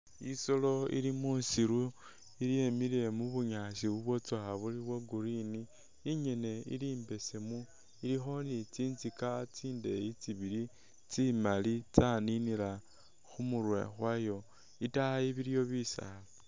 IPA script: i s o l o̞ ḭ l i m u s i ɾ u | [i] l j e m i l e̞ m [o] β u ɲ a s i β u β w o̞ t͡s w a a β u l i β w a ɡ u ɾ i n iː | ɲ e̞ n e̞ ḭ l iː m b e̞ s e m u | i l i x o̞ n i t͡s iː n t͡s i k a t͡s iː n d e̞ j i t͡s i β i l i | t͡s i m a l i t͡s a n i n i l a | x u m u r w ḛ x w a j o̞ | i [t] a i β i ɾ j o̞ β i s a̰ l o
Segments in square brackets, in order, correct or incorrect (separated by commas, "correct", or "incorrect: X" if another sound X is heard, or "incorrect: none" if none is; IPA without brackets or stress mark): correct, incorrect: u, correct